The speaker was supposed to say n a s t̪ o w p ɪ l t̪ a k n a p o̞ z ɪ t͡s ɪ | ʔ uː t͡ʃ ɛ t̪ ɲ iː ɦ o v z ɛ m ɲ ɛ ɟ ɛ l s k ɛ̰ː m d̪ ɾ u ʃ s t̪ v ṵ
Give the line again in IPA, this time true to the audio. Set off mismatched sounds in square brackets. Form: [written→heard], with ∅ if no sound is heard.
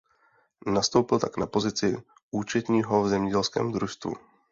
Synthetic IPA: n a s t̪ o w p ɪ l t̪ a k n a p o̞ z ɪ t͡s ɪ | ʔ uː t͡ʃ ɛ t̪ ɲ iː ɦ o v z ɛ m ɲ ɛ ɟ ɛ l s k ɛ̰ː m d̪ ɾ u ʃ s t̪ v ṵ